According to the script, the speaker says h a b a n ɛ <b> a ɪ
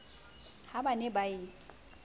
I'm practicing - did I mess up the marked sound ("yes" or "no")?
no